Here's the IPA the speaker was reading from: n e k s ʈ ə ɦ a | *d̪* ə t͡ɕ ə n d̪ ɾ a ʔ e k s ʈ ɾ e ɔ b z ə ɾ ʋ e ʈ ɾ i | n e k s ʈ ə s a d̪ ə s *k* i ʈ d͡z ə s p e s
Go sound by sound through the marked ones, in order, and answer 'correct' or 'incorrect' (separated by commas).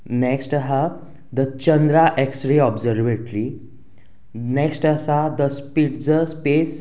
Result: correct, incorrect